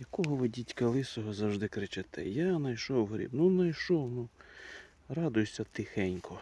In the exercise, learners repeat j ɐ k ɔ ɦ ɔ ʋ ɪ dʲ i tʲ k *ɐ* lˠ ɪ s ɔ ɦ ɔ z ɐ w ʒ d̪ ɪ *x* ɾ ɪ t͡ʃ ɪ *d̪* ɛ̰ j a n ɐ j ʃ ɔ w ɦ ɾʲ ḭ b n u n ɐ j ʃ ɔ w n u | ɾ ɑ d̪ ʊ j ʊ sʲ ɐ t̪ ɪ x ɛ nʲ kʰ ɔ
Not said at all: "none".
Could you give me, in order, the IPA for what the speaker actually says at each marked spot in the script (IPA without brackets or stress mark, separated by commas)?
ɐ, k, t̪